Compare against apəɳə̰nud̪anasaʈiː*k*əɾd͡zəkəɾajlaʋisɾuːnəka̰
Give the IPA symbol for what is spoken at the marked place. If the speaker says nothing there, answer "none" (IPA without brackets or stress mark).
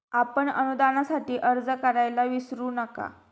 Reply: ʔ